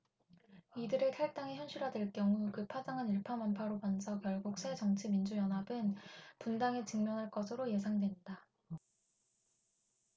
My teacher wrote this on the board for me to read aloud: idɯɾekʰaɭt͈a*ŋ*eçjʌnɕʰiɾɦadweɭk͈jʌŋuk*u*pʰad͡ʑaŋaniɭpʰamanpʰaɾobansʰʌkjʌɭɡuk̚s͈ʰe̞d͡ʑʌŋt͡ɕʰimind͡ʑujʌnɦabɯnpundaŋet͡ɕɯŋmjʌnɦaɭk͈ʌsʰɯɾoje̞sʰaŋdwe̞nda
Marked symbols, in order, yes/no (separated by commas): yes, no